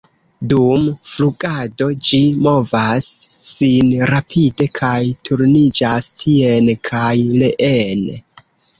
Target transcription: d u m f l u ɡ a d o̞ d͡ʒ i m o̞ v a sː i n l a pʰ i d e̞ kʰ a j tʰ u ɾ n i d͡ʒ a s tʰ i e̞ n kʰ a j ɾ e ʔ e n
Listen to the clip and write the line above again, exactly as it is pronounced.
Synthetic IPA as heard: d u m f l u ɡ a d o̞ d͡ʒ i m o̞ v a sː i n ɾ a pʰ i d e̞ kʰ a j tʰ u ɾ n i d͡ʒ a s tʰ i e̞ n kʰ a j l e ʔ e n